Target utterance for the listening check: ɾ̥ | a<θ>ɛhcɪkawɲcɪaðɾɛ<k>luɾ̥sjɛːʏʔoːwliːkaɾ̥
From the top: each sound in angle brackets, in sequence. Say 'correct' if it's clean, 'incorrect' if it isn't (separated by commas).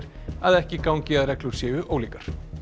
incorrect, correct